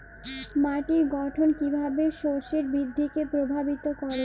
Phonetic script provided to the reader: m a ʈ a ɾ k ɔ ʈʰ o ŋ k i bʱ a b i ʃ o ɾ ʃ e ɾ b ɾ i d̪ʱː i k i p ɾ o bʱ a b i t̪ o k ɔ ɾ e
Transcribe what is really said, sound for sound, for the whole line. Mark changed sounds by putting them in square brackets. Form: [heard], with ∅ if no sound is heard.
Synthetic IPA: m a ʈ [i] ɾ [ɡ] ɔ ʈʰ o [n] k i bʱ a b [e] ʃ o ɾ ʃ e ɾ b ɾ i d̪ʱː i k [e] p ɾ o bʱ a b i t̪ o k ɔ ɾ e